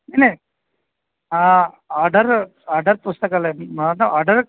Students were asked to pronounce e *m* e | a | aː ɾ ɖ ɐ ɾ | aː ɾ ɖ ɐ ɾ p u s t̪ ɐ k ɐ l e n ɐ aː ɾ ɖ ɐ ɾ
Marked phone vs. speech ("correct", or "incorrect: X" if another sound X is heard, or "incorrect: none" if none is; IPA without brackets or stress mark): incorrect: n